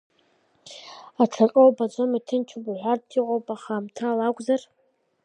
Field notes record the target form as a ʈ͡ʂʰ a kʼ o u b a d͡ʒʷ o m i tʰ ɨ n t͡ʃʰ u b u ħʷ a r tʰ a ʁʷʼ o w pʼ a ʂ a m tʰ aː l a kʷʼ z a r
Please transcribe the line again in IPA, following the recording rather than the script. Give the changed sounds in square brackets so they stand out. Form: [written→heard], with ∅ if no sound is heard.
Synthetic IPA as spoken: a ʈ͡ʂʰ a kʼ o [u→w] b a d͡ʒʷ o m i tʰ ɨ n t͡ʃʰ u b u ħʷ a r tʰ [a→i] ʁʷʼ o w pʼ a [ʂ→χ] a m tʰ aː l a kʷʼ z a r